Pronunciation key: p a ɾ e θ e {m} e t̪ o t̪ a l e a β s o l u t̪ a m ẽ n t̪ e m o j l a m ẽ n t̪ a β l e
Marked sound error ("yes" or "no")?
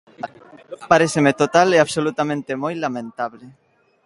no